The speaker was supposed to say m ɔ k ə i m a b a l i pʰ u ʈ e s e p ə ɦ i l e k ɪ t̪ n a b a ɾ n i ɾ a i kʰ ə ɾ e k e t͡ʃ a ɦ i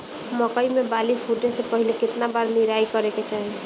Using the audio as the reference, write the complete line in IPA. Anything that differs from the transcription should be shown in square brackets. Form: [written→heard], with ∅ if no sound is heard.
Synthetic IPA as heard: m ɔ k ə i m [a→e] b a l i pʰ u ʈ e s e p ə ɦ i l e k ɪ t̪ n a b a ɾ n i ɾ a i [kʰ→k] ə ɾ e k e t͡ʃ a ɦ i

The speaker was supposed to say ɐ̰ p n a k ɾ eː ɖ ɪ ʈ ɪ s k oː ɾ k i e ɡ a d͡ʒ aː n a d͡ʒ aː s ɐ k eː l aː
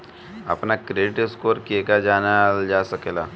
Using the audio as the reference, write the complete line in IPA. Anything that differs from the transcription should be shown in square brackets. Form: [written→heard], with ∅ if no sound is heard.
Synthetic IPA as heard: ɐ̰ p n a k ɾ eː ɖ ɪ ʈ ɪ s k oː ɾ k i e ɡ a d͡ʒ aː n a d͡ʒ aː s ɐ k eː l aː

